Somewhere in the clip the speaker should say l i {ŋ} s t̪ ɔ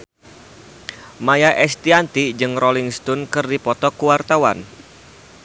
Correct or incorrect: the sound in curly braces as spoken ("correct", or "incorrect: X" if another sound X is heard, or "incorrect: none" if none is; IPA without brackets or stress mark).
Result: correct